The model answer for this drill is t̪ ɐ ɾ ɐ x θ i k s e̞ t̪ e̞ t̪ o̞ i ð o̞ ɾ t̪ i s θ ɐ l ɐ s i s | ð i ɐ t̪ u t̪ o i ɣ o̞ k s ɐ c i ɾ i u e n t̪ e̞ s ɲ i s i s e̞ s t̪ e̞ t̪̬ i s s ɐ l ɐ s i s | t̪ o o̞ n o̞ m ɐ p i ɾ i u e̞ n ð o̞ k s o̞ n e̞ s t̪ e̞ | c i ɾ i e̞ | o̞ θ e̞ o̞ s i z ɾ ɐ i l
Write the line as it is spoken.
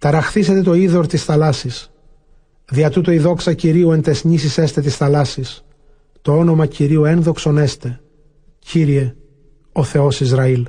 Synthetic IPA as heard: t̪ ɐ ɾ ɐ x θ i s e̞ t̪ e̞ t̪ o̞ i ð o̞ ɾ t̪ i s θ ɐ l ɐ s i s | ð i ɐ t̪ u t̪ o i ð o̞ k s ɐ c i ɾ i u e n t̪ e̞ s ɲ i s i s e̞ s t̪ e̞ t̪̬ i s θ ɐ l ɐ s i s | t̪ o o̞ n o̞ m ɐ c i ɾ i u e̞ n ð o̞ k s o̞ n e̞ s t̪ e̞ | c i ɾ i e̞ | o̞ θ e̞ o̞ s i z ɾ ɐ i l